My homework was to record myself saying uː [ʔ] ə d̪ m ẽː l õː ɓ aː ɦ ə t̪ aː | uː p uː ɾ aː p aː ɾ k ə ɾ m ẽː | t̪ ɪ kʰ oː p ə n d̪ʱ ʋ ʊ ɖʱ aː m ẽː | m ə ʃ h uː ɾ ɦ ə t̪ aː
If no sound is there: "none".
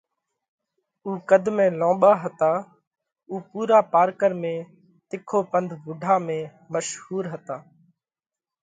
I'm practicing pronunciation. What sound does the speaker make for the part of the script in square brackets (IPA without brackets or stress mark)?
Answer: k